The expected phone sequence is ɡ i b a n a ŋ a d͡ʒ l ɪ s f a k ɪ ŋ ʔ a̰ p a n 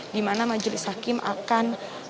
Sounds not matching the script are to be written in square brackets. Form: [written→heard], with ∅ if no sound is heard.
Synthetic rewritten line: [ɡ→d] i [b→m] a n a [ŋ→m] a d͡ʒ l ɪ s [f→h] a k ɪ [ŋ→m] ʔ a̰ [p→k] a n